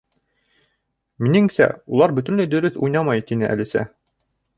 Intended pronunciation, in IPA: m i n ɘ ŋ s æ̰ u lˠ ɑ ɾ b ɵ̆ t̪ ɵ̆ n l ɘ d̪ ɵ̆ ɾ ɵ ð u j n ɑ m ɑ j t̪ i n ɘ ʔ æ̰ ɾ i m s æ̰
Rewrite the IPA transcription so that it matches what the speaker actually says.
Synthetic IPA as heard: m i n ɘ ŋ s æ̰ u lˠ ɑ ɾ b ɵ̆ t̪ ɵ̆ n l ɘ d̪ ɵ̆ ɾ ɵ θ u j n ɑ m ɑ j t̪ i n ɘ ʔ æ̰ l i s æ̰

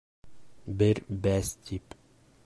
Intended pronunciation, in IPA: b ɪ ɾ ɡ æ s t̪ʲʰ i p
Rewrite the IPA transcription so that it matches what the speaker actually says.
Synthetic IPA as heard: b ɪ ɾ b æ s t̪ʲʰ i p

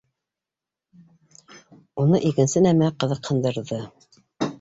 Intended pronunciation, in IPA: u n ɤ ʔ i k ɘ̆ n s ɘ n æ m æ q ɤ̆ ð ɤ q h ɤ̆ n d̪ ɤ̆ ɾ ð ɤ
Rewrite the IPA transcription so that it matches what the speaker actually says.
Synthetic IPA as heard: u n ɤ ʔ i k ɘ̆ n s ɘ n æ m æ q ɤ̆ ð ɤ q h ɤ̆ n d̪ ɤ̆ ɾ ð ɤ

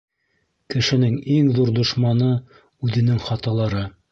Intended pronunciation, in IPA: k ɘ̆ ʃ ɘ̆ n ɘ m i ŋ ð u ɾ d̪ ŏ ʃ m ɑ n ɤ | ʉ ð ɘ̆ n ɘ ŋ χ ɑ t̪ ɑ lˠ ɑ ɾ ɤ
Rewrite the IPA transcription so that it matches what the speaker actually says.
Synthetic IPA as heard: k ɘ̆ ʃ ɘ̆ n ɘ ŋ i ŋ ð u ɾ d̪ ŏ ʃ m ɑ n ɤ | ʉ ð ɘ̆ n ɘ ŋ χ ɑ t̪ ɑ lˠ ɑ ɾ ɤ

